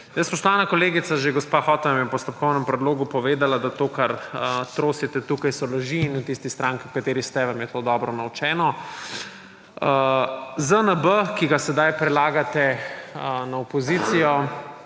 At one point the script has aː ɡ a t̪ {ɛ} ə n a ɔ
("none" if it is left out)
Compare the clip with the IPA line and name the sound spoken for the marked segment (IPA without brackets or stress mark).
ɛ